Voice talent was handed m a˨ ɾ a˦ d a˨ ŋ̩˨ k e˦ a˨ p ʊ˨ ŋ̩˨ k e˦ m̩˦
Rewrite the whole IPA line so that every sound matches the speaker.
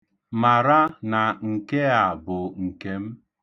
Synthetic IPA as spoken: m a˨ ɾ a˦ n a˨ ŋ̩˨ k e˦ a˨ b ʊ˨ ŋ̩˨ k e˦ m̩˦